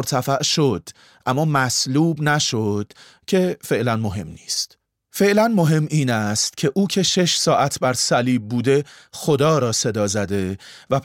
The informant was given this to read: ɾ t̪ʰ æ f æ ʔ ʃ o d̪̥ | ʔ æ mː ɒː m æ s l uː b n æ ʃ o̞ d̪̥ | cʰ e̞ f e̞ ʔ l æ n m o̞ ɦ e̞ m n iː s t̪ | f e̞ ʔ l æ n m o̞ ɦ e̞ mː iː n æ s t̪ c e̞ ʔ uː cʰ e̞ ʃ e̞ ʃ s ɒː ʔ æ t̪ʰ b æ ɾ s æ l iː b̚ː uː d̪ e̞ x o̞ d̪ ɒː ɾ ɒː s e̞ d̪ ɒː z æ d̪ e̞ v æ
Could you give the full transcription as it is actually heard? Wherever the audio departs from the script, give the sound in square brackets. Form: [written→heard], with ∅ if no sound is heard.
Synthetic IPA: ɾ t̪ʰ æ f æ ʔ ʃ o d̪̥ | ʔ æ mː ɒː m æ s l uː b n æ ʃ o̞ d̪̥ | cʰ e̞ f e̞ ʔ l æ n m o̞ ɦ e̞ m n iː s t̪ | f e̞ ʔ l æ n m o̞ ɦ e̞ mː iː n æ s t̪ [c→cʰ] e̞ ʔ uː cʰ e̞ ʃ e̞ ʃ s ɒː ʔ æ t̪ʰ b æ ɾ s æ l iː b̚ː uː d̪ e̞ x o̞ d̪ ɒː ɾ ɒː s e̞ d̪ ɒː z æ d̪ e̞ v æ